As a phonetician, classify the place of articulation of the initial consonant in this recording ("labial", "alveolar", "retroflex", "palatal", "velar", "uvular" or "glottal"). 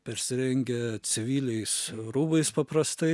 labial